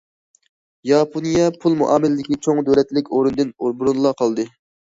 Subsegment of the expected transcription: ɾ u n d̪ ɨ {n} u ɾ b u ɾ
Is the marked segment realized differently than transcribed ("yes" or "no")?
no